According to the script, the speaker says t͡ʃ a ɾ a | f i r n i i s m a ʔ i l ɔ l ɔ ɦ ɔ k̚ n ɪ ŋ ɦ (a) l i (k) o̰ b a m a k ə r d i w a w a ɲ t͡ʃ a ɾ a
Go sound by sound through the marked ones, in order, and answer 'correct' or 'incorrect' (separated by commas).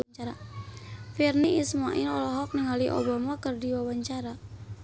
correct, incorrect